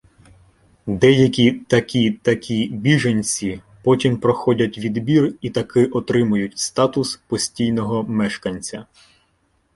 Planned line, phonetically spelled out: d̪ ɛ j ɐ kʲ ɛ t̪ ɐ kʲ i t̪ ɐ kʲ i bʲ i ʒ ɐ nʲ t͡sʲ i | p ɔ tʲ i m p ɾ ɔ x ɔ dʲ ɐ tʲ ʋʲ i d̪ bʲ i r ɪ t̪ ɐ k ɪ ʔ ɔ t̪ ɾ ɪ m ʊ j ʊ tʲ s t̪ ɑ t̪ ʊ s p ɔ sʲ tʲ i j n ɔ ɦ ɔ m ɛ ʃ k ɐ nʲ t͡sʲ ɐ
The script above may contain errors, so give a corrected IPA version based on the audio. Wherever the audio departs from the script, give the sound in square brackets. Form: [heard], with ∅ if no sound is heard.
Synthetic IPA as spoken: d̪ ɛ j ɐ kʲ [i] t̪ ɐ kʲ i t̪ ɐ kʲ i bʲ i ʒ ɐ nʲ t͡sʲ i | p ɔ tʲ i m p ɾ ɔ x ɔ dʲ ɐ tʲ ʋʲ i d̪ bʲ i r [i] t̪ ɐ k ɪ ʔ ɔ t̪ ɾ ɪ m ʊ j ʊ tʲ s t̪ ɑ t̪ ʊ s p ɔ sʲ tʲ i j n ɔ ɦ ɔ m ɛ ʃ k ɐ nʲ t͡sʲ ɐ